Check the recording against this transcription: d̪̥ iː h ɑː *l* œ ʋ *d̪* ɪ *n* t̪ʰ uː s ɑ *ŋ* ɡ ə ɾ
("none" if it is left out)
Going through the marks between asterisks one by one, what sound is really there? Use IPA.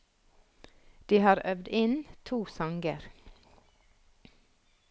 ɾ, d̪, n, ŋ

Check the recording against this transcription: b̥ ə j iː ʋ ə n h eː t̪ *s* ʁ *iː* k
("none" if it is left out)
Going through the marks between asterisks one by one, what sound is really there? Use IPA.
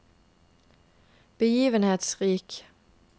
s, iː

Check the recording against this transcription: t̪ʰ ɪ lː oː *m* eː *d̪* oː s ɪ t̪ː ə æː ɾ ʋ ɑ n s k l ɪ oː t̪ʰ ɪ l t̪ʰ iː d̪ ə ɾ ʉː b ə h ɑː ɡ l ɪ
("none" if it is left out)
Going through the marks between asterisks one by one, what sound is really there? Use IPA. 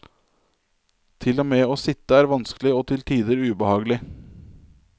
m, none

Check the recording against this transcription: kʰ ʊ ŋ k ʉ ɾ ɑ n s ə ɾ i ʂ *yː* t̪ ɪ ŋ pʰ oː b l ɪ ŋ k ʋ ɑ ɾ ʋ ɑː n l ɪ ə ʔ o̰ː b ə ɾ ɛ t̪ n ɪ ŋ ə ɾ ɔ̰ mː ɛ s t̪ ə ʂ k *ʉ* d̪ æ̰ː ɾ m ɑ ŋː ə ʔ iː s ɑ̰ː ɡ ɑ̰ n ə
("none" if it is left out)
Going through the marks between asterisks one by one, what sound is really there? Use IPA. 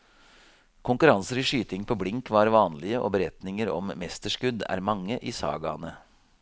yː, ʉ

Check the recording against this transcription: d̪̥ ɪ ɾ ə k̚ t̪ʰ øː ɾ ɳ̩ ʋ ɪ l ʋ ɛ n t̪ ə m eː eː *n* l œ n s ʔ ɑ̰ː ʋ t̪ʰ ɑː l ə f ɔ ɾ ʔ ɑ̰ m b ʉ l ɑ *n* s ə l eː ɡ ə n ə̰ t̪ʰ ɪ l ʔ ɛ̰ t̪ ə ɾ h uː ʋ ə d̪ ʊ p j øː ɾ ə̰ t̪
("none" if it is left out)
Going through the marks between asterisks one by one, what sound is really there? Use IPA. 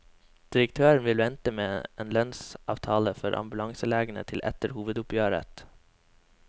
n, ŋ

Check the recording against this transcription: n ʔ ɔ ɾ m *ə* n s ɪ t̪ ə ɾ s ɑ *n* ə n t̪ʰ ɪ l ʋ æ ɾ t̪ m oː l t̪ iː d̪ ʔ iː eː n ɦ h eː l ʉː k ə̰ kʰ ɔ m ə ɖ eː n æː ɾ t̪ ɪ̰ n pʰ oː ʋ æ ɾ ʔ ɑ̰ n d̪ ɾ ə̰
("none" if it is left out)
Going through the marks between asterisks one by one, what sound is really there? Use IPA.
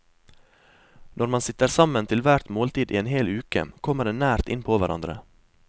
ɑ, m

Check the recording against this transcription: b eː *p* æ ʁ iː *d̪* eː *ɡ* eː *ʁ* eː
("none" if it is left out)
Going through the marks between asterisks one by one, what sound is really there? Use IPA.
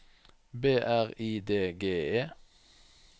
ʔ, d̪, ɡ, none

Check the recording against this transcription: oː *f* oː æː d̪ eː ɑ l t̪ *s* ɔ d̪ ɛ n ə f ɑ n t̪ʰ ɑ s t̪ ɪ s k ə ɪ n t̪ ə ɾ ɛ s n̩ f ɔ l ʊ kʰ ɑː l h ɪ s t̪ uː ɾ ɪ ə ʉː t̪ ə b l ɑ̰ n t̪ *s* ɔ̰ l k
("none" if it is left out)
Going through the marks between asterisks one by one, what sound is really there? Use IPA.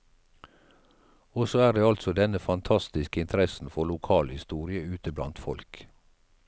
s, s, f

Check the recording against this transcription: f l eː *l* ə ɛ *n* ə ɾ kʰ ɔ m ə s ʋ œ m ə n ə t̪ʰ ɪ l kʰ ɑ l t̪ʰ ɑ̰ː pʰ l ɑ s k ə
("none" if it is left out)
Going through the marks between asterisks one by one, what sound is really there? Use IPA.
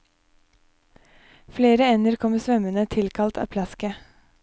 ɾ, n

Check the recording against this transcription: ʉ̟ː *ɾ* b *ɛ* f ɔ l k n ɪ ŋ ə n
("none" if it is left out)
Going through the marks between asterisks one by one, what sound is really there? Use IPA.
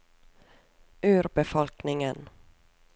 ɾ, ɛ

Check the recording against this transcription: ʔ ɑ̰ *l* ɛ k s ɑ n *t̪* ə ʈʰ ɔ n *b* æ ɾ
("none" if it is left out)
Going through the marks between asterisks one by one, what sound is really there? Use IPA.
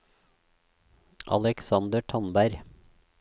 l, d̪, b

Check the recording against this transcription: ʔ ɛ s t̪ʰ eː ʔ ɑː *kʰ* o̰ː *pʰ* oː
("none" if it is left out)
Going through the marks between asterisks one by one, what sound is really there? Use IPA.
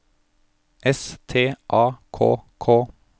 kʰ, kʰ

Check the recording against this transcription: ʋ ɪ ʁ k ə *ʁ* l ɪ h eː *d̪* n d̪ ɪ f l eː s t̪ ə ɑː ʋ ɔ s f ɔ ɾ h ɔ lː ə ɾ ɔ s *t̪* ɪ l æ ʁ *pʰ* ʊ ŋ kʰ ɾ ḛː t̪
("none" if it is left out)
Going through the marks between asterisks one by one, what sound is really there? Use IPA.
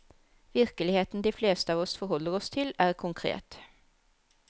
none, t̪, t̪ʰ, kʰ

